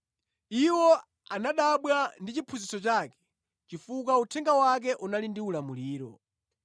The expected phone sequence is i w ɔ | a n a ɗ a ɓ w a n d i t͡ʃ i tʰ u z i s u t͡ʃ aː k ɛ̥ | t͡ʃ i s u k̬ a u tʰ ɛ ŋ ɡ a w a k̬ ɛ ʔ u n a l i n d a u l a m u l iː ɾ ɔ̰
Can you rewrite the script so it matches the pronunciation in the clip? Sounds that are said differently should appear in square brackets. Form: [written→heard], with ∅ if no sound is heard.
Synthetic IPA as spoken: i w ɔ | a n a ɗ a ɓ w a n d i t͡ʃ i [tʰ→pʰ] u z i s [u→ɔ] t͡ʃ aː k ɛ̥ | t͡ʃ i [s→f] u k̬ a u tʰ ɛ ŋ ɡ a w a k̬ ɛ ʔ u n a l i n d [a→i] u l a m u l iː ɾ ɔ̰